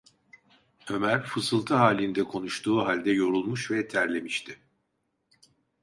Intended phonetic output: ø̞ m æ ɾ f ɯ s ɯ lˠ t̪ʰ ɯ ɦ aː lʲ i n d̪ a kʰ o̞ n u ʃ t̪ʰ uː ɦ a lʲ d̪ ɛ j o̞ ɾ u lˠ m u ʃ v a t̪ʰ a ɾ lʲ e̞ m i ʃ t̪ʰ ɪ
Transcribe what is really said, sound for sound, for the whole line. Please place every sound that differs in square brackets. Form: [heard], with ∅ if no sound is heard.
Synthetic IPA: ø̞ m æ ɾ f ɯ s ɯ lˠ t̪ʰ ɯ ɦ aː lʲ i n d̪ [ɛ] kʰ o̞ n u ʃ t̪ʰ uː ɦ a lʲ d̪ ɛ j o̞ ɾ u lˠ m u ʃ v [ɛ] t̪ʰ [æ] ɾ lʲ e̞ m i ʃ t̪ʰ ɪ

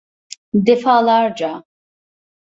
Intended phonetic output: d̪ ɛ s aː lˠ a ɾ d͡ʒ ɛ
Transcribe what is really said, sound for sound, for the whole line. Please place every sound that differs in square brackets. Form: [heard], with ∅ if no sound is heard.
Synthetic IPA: d̪ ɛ [f] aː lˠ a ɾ d͡ʒ [a]

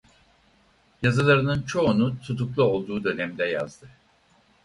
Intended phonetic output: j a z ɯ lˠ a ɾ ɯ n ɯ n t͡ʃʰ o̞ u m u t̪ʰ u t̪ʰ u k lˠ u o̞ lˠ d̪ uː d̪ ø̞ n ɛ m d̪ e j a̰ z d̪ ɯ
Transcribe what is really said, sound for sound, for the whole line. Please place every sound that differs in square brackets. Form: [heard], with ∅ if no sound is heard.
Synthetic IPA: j a z ɯ lˠ a ɾ ɯ n ɯ n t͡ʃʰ o̞ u [n] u t̪ʰ u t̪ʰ u k lˠ u o̞ lˠ d̪ uː d̪ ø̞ n ɛ m d̪ [ɛ] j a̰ z d̪ ɯ

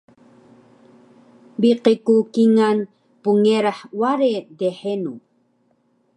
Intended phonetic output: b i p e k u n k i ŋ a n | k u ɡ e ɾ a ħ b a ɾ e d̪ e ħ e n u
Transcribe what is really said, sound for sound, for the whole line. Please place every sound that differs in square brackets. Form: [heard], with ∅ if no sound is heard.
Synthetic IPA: b i [q] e k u [∅] k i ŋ a n | [p] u [ŋ] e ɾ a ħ [w] a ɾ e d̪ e ħ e n u

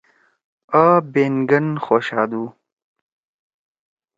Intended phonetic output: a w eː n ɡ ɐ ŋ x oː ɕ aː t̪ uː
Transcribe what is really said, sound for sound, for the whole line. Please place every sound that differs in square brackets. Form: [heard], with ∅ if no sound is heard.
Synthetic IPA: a [b] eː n ɡ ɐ [n] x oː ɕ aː [d̪] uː

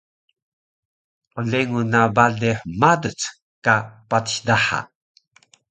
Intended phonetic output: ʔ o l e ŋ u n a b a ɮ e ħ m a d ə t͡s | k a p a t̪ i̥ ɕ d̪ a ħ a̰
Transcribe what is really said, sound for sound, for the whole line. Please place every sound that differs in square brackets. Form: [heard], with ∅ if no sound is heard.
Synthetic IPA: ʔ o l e ŋ u n a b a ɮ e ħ m a d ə t͡s | k a p a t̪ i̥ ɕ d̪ a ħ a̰

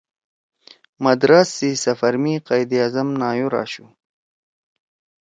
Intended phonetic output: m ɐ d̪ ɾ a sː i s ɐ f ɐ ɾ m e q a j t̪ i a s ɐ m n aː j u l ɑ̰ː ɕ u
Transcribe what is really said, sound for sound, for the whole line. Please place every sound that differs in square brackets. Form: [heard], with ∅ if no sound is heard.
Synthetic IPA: m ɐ d̪ ɾ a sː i s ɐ f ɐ ɾ m [i] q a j [d̪] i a [z] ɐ m n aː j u [ɾ] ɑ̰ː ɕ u

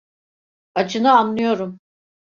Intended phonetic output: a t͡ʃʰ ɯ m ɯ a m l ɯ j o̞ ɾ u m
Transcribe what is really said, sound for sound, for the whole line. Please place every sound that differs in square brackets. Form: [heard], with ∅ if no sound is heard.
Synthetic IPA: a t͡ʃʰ ɯ [n] ɯ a [n] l ɯ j o̞ ɾ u m

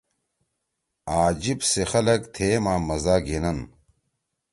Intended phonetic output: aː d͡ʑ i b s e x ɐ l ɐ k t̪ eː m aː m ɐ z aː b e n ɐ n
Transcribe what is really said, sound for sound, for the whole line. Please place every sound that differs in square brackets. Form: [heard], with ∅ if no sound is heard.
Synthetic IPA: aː d͡ʑ i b s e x ɐ l ɐ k [t̪ʰ] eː m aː m ɐ z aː [ɡ] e n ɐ n

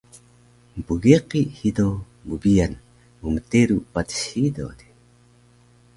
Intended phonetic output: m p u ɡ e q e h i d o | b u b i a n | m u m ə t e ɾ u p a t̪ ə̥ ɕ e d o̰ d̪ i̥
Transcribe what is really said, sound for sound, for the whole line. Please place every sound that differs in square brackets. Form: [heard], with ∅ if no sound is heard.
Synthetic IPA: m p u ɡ e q [i] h i d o | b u b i a n | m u m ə t e ɾ u p a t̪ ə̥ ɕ [i] d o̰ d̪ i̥

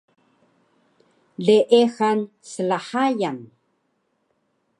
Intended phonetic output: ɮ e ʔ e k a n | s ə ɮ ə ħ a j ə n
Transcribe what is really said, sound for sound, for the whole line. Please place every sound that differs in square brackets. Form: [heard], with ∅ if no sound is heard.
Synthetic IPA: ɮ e ʔ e [x] a n | s ə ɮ [a] ħ a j [a] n

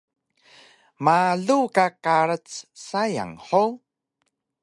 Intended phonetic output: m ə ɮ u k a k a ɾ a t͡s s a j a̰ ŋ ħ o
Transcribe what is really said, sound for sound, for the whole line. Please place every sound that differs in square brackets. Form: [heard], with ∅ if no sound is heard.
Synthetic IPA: m [a] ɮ u k a k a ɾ [ə] t͡s s a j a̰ ŋ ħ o

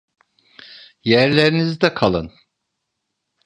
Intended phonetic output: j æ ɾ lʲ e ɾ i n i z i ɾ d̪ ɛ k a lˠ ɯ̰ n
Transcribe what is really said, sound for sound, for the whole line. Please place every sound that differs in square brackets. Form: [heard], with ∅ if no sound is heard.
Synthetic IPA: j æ ɾ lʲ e ɾ i n i z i [∅] d̪ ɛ [kʰ] a lˠ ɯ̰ n

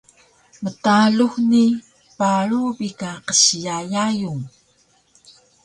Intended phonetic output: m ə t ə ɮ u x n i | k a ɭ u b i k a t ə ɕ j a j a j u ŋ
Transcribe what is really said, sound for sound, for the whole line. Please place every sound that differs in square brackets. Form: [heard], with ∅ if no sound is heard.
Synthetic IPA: m ə t [a] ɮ u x n i | [p] a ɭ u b i k a [q] ə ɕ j a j a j u ŋ

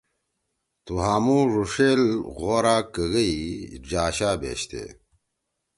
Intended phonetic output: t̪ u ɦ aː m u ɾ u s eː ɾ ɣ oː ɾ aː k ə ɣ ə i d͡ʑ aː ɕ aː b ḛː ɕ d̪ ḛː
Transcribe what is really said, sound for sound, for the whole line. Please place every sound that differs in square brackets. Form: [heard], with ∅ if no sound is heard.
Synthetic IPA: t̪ u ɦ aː m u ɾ u [ʂ] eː [l] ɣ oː ɾ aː k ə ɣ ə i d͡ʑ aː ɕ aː b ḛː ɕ [t̪] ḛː

